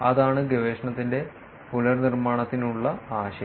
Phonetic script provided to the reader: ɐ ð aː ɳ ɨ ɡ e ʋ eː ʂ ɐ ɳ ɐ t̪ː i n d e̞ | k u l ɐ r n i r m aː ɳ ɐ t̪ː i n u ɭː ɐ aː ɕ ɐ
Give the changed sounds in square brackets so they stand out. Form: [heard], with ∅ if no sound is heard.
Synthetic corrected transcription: ɐ ð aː ɳ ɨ ɡ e ʋ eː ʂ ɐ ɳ ɐ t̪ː i n d e̞ | [p] u l ɐ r n i r m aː ɳ ɐ t̪ː i n u ɭː ɐ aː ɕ ɐ